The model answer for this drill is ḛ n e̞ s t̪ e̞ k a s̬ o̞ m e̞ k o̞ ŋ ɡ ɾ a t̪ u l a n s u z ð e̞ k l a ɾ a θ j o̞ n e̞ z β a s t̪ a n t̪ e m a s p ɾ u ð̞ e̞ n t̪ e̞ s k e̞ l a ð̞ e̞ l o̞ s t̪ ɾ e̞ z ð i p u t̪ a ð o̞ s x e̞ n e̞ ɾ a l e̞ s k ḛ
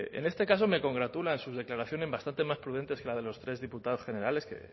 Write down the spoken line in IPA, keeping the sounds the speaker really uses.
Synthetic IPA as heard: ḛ n e̞ s t̪ e̞ k a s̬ o̞ m e̞ k o̞ ŋ ɡ ɾ a t̪ u l a n s u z ð e̞ k l a ɾ a θ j o̞ n e̞ z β a s t̪ a n t̪ e m a s p ɾ u ð̞ e̞ n t̪ e̞ s k e̞ l a ð̞ e̞ l o̞ s t̪ ɾ e̞ z ð i p u t̪ a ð o̞ s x e̞ n e̞ ɾ a l e̞ s k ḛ

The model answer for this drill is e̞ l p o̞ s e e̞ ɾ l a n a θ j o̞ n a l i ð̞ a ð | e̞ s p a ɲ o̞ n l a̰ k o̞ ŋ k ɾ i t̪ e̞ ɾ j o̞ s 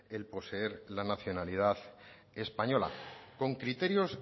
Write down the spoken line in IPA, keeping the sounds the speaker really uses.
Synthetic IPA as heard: e̞ l p o̞ s e e̞ ɾ l a n a θ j o̞ n a l i ð̞ a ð | e̞ s p a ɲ o̞ l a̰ k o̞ ŋ k ɾ i t̪ e̞ ɾ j o̞ s

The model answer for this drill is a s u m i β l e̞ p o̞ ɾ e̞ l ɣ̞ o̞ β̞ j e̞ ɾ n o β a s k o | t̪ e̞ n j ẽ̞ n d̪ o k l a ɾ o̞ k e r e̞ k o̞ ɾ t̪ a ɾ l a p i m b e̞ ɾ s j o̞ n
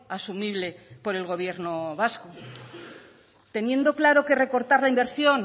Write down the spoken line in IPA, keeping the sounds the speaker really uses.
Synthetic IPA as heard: a s u m i β l e̞ p o̞ ɾ e̞ l ɣ̞ o̞ β̞ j e̞ ɾ n o β a s k o | t̪ e̞ n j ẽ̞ n d̪ o k l a ɾ o̞ k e r e̞ k o̞ ɾ t̪ a ɾ l a i m b e̞ ɾ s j o̞ n

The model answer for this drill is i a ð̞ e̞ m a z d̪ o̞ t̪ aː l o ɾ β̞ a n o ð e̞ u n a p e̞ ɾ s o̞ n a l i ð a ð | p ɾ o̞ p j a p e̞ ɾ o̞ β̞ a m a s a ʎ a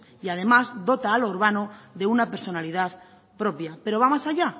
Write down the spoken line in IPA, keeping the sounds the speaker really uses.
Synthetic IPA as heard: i a ð̞ e̞ m a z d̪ o̞ t̪ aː l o ɾ β̞ a n o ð e̞ u n a p e̞ ɾ s o̞ n a l i ð a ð | p ɾ o̞ p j a p e̞ ɾ o̞ β̞ a m a s a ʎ a

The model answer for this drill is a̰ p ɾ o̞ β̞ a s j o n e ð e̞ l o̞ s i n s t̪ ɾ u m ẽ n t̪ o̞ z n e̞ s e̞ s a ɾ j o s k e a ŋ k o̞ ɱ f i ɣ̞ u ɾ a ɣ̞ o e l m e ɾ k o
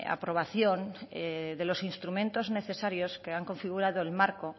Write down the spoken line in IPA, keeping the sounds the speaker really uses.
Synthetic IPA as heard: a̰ p ɾ o̞ β̞ a θ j o n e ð e̞ l o̞ s i n s t̪ ɾ u m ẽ n t̪ o̞ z n e̞ θ e̞ s a ɾ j o s k e a ŋ k o̞ ɱ f i ɣ̞ u ɾ a ð̞ o e l m a ɾ k o

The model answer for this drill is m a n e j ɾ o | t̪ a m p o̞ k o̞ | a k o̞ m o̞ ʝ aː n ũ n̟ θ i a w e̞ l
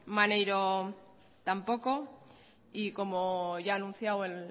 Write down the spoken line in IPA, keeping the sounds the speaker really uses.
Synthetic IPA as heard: m a n e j ɾ o | t̪ a m p o̞ k o̞ | i k o̞ m o̞ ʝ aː n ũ n̟ θ j a w e̞ l

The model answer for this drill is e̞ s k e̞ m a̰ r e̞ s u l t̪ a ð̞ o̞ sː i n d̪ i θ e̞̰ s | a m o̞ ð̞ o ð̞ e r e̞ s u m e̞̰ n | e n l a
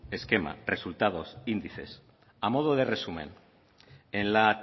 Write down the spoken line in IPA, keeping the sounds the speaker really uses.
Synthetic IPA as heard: e̞ s k e̞ m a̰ r e̞ s u l t̪ a ð̞ o̞ s i n d̪ i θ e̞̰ s | a m o̞ ð̞ o ð̞ e r e̞ s u m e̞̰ n | e n l a

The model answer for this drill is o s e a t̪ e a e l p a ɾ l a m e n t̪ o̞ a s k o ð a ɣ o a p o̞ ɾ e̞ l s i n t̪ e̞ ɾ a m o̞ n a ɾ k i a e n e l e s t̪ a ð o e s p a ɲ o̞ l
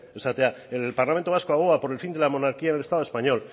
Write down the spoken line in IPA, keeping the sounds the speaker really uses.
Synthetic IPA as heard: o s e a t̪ e a e l p a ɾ l a m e n t̪ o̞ a s k o a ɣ o a p o̞ ɾ e̞ l f i n d̪ e̞ l a m o̞ n a ɾ k i a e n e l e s t̪ a ð o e s p a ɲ o̞ l

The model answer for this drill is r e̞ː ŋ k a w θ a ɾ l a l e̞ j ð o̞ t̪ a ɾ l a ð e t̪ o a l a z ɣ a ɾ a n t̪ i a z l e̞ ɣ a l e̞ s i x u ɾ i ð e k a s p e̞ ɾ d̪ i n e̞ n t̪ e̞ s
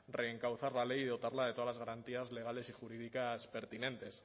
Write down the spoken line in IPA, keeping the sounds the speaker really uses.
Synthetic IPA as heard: r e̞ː ŋ k a w θ a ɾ l a l e̞ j ð o̞ t̪ a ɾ l a ð e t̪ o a l a z ɣ a ɾ a n t̪ i a z l e̞ ɣ a l e̞ s i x u ɾ i ð i k a s p e̞ ɾ t̪ i n e̞ n t̪ e̞ s

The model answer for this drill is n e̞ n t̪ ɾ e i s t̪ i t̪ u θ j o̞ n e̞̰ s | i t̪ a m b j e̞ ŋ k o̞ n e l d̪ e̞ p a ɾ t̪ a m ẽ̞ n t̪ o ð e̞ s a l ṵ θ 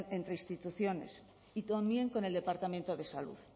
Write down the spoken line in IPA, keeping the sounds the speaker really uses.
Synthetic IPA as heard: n e̞ n t̪ ɾ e i s t̪ i t̪ u θ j o̞ n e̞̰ s | i t̪ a m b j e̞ ŋ k o̞ n e l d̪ e̞ p a ɾ t̪ a m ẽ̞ n t̪ o ð e̞ s a l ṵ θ

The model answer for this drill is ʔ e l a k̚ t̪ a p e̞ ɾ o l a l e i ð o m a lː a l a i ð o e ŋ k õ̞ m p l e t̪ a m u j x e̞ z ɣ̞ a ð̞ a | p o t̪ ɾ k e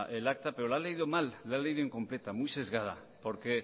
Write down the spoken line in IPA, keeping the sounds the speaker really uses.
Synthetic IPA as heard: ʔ e l a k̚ t̪ a p e̞ ɾ o l a l e i ð o m a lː a l e i ð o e ŋ k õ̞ m p l e t̪ a m u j s e̞ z ɣ̞ a ð̞ a | p o ɾ k e

